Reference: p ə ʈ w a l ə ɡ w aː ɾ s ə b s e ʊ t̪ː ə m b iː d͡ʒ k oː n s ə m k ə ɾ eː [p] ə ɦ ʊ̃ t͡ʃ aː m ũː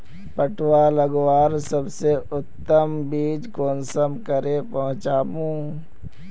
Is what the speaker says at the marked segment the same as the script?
yes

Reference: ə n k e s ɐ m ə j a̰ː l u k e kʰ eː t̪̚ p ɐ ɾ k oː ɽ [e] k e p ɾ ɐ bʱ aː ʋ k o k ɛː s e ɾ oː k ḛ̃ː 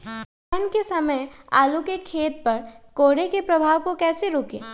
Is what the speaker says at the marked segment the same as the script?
yes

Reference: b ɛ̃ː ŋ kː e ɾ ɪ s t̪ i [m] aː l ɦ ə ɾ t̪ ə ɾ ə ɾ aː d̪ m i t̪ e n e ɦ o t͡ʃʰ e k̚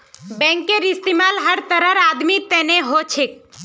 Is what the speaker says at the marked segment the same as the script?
yes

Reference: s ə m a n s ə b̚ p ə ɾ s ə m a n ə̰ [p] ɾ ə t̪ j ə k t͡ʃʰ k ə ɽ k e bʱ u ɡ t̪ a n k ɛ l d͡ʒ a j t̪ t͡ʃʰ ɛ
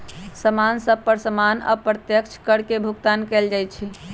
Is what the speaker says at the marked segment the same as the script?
yes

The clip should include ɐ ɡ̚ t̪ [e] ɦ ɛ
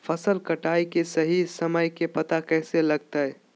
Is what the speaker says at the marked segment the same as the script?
no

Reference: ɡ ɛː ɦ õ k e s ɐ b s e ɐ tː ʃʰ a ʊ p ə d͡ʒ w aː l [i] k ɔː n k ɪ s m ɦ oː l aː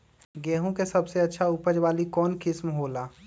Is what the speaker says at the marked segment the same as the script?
yes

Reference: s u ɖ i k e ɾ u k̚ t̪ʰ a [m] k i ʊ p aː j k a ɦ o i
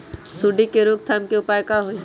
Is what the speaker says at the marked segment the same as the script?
yes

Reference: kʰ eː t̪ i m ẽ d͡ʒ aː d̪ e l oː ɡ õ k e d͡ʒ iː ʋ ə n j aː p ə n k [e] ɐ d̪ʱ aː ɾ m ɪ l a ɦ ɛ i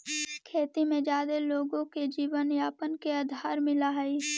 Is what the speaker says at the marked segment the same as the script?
yes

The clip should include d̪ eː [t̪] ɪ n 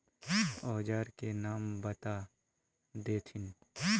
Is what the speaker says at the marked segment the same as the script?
no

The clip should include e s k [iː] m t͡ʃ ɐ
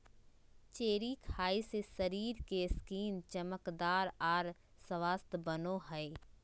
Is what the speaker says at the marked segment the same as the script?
yes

